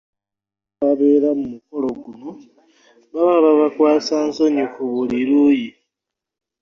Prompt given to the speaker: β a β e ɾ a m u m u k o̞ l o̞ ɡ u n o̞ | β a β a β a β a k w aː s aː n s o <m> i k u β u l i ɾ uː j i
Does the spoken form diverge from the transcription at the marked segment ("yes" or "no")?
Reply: yes